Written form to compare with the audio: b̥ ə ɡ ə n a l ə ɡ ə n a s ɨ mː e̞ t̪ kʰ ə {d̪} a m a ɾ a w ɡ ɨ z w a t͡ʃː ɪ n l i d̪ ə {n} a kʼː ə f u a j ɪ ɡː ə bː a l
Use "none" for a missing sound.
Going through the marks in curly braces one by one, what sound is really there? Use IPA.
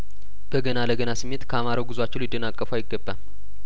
none, n

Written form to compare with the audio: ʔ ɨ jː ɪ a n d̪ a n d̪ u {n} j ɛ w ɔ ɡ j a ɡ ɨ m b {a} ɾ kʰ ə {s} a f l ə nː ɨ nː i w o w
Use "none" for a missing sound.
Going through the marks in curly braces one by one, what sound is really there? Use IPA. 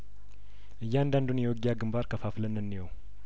n, a, f

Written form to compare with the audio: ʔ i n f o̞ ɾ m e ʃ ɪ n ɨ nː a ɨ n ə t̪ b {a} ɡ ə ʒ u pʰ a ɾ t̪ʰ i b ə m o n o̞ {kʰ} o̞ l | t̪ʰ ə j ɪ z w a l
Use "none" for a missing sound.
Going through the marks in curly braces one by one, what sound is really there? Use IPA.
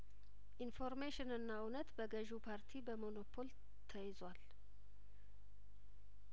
ə, pʰ

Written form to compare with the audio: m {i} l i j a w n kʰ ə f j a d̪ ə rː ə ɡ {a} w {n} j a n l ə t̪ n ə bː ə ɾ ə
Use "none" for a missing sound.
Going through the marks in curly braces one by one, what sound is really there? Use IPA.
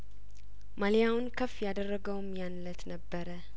a, ə, m

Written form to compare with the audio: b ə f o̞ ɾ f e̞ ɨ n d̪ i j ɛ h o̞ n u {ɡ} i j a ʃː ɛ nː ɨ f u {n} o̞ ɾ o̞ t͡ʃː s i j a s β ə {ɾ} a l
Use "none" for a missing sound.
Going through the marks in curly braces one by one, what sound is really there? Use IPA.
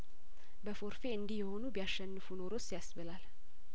b, n, l

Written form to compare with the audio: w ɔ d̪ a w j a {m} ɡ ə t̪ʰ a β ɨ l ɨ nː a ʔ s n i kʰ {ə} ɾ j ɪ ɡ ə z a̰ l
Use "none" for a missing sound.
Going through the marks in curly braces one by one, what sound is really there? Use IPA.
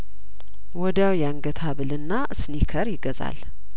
ŋ, ə

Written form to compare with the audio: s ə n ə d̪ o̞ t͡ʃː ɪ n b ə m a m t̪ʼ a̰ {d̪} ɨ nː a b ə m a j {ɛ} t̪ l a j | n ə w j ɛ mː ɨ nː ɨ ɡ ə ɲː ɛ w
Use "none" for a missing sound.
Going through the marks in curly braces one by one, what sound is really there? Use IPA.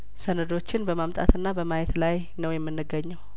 t̪, ɛ

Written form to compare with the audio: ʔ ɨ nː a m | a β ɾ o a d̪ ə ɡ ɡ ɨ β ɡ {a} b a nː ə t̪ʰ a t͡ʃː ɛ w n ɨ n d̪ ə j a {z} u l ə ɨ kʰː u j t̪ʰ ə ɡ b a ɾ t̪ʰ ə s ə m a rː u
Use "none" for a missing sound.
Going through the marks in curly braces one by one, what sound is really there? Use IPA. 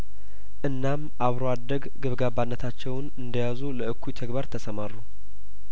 a, z

